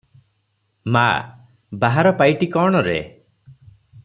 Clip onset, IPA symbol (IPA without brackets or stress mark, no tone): m